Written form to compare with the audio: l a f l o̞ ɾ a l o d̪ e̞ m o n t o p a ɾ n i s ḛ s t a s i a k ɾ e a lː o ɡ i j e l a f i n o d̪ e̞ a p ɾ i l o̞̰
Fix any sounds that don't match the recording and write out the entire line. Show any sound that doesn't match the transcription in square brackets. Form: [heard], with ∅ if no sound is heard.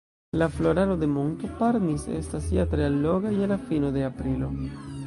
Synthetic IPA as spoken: l a f l o̞ ɾ a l o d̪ e̞ m o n t o p a ɾ n i s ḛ s t a s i a [t] ɾ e a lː o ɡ [a] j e l a f i n o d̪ e̞ a p ɾ i l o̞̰

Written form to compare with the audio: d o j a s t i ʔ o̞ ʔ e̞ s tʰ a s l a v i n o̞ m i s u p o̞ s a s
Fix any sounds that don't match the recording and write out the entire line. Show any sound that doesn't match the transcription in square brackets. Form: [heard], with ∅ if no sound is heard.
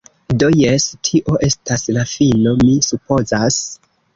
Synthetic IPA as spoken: d o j [e] s [tʰ] i ʔ o̞ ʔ e̞ s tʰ a s l a [f] i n o̞ m i s u p o̞ [z] a s

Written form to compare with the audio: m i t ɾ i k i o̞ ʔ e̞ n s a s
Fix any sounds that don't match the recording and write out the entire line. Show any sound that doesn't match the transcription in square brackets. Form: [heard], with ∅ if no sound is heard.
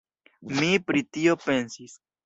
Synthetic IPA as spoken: m i [p] ɾ i [t] i o̞ [p] e̞ n s [i] s

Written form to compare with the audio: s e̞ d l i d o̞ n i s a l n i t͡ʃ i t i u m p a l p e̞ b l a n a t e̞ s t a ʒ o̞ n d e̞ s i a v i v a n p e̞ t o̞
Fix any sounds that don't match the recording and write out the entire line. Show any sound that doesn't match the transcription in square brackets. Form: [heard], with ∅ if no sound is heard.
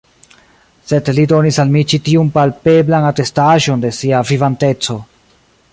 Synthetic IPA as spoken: s e̞ d l i d o̞ n i s a l [m] i t͡ʃ i t i u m p a l p e̞ b l a n a t e̞ s t a ʒ o̞ n d e̞ s i a v i v a n [t] e̞ [t͡s] o̞

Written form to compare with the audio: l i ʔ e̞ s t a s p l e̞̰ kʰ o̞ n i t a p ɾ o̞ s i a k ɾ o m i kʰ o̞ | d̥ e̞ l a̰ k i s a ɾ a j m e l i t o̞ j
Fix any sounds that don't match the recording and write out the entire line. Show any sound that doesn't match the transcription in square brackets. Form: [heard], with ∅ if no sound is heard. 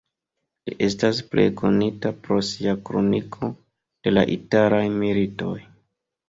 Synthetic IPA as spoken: l i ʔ e̞ s t a s p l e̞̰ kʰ o̞ n i t a p ɾ o̞ s i a k ɾ o [n] i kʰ o̞ | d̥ e̞ l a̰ [ʔ] i [t] a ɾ a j m [i] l i t o̞ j

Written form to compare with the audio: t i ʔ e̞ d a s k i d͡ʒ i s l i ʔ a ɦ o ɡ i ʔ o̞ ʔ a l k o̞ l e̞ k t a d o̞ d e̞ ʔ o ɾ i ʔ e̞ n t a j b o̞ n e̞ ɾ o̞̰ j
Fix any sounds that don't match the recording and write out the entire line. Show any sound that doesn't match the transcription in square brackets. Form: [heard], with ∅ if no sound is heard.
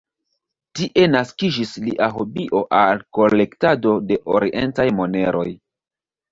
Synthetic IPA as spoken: t i ʔ e̞ [n] a s k i d͡ʒ i s l i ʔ a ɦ o [b] i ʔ o̞ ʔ a l k o̞ l e̞ k t a d o̞ d e̞ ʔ o ɾ i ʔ e̞ n t a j [m] o̞ n e̞ ɾ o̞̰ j

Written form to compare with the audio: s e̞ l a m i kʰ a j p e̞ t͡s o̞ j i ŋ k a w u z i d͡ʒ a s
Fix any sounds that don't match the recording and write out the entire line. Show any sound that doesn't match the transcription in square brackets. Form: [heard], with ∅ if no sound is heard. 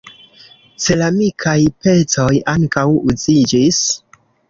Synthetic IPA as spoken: s e̞ l a m i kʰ a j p e̞ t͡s o̞ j [a] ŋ k a w u z i d͡ʒ [i] s

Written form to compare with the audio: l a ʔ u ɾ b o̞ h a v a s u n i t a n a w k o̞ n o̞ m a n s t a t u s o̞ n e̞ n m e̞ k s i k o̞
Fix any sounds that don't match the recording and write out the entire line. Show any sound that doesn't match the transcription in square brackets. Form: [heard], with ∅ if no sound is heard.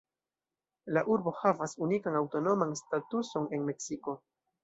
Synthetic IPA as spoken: l a ʔ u ɾ b o̞ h a v a s u n i [k] a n a w [t] o̞ n o̞ m a n s t a t u s o̞ n e̞ n m e̞ k s i k o̞

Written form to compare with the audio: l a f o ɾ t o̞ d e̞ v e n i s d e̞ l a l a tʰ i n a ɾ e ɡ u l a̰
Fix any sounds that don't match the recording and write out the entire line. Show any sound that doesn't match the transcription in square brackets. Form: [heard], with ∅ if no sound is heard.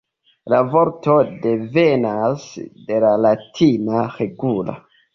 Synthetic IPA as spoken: l a [v] o ɾ t o̞ d e̞ v e n [a] s d e̞ l a l a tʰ i n a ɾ e ɡ u l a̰

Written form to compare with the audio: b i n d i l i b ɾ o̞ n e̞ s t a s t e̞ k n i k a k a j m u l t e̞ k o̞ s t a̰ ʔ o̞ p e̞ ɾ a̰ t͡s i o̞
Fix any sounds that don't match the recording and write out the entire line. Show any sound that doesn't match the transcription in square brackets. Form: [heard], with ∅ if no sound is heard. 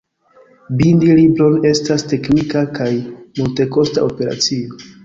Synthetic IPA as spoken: b i n d i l i b ɾ o̞ n e̞ s t a s t e̞ k n i k a k a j m u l t e̞ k o̞ s t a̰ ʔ o̞ p e̞ ɾ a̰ t͡s i o̞

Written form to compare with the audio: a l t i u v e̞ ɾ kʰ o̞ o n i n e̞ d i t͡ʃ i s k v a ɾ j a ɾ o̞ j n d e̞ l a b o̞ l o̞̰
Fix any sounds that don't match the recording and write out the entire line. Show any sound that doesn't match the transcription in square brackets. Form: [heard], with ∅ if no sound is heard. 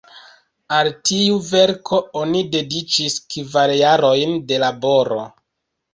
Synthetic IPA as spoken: a l t i u v e̞ ɾ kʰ o̞ o n i [d] e̞ d i t͡ʃ i s k v a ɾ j a ɾ o̞ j n d e̞ l a b o̞ [ɾ] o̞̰

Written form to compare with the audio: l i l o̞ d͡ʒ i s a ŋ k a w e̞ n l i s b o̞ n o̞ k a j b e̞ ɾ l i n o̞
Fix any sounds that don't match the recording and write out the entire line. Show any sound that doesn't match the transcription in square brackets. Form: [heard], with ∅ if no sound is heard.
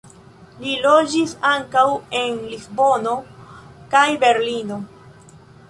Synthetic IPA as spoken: l i l o̞ d͡ʒ i s a ŋ k a w e̞ n l i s b o̞ n o̞ k a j b e̞ ɾ l i n o̞

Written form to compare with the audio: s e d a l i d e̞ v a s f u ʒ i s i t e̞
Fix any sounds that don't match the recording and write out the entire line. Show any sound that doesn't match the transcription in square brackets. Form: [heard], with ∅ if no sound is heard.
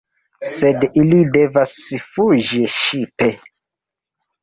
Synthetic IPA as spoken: s e d [i] l i d e̞ v a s f u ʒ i [ʃ] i [p] e̞

